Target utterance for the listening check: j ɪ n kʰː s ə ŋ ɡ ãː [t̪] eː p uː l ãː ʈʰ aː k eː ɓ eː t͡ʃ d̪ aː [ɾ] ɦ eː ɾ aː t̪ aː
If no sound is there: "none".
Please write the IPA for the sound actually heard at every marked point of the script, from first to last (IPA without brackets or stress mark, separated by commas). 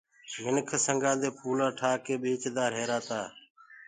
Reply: d̪, ɾ